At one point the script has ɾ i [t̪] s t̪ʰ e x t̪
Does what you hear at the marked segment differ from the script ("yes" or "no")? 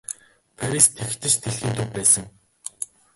yes